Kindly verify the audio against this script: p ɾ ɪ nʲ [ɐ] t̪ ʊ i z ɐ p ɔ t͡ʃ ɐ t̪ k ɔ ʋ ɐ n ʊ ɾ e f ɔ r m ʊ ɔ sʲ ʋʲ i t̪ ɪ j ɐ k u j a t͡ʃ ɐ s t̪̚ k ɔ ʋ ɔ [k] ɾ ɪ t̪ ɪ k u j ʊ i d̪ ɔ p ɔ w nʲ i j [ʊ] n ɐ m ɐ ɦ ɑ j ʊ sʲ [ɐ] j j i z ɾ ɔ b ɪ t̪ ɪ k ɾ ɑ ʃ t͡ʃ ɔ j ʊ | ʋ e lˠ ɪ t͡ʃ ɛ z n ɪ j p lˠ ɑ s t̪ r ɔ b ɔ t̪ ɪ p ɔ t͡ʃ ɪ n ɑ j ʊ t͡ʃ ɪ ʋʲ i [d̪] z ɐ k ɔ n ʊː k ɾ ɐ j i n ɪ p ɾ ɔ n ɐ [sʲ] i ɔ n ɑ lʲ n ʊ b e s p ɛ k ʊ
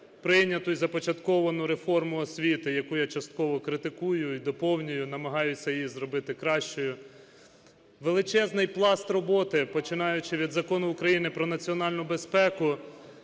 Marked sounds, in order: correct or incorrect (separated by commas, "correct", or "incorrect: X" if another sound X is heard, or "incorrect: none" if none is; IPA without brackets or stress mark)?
correct, correct, correct, correct, correct, incorrect: t͡sʲ